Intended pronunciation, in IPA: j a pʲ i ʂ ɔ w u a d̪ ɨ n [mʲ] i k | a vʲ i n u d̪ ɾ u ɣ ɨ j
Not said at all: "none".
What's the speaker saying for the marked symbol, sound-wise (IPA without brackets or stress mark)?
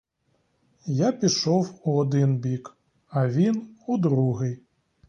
bʲ